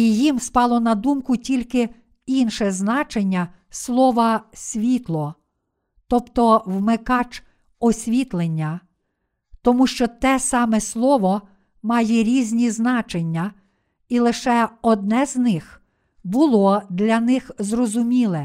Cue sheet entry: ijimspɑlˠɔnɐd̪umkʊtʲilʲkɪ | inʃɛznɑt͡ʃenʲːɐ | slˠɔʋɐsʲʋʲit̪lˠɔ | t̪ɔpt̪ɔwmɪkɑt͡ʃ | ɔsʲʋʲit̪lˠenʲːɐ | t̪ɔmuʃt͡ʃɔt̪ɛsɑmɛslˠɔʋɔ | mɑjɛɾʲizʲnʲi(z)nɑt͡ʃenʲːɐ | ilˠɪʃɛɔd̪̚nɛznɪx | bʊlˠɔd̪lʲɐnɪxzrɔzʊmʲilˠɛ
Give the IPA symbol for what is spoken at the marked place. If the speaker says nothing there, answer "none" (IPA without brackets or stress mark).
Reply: z